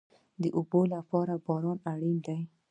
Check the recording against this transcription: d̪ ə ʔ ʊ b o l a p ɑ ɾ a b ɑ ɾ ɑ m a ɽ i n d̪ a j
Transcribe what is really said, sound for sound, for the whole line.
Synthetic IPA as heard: d̪ ə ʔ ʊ b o l a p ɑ ɾ a b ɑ ɾ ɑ n a ɽ i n d̪ a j